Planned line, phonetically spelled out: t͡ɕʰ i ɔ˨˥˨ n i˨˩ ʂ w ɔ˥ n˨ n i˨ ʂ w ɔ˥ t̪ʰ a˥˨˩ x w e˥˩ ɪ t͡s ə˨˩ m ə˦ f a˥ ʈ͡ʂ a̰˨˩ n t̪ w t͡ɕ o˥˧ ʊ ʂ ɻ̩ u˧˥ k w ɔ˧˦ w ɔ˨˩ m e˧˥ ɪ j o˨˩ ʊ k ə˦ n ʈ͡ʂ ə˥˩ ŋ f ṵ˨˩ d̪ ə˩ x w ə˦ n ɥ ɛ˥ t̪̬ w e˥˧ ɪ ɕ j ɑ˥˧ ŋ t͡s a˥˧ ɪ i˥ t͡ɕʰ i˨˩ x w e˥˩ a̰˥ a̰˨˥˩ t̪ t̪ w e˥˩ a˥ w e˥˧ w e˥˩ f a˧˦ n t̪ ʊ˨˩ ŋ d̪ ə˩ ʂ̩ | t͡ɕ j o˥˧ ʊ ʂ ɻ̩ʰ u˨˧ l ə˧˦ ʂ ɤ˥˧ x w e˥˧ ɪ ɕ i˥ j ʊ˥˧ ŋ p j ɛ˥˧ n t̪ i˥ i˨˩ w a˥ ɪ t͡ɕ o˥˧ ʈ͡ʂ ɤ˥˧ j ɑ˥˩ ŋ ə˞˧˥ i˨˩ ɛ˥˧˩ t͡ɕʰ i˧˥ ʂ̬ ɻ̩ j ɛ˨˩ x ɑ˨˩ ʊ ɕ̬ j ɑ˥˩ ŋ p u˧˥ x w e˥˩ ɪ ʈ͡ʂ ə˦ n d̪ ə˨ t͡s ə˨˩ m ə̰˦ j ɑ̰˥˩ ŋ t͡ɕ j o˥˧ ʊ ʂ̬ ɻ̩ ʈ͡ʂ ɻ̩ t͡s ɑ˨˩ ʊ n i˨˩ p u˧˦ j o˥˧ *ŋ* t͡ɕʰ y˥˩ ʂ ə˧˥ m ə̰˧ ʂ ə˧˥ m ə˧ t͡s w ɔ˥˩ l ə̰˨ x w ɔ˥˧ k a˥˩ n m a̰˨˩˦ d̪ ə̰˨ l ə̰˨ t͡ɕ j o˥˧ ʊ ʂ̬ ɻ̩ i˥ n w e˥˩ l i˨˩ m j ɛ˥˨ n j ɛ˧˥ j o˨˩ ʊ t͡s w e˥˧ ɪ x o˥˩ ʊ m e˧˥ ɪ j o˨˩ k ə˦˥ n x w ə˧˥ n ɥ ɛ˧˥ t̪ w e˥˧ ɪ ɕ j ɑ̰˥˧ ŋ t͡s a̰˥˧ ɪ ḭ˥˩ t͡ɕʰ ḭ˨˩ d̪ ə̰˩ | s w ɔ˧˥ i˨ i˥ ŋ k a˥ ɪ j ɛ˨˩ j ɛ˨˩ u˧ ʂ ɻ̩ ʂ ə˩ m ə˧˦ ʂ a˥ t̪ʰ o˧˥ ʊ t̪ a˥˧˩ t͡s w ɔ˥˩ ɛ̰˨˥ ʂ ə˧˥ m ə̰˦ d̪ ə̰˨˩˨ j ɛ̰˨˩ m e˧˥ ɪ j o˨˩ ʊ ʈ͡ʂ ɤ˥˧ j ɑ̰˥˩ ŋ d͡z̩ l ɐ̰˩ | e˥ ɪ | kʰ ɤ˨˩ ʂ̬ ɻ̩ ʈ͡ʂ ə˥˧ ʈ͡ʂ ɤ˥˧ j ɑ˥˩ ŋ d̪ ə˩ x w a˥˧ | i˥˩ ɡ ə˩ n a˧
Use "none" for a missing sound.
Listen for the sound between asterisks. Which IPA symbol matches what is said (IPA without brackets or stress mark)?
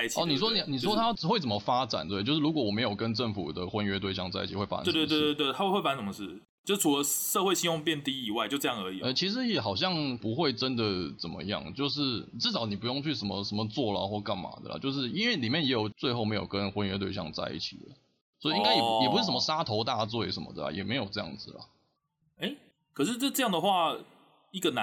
ŋ